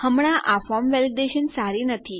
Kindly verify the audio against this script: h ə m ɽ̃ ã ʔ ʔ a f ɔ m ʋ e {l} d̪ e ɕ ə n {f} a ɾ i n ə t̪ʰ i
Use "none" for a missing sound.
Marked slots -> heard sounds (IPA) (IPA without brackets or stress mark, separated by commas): l, s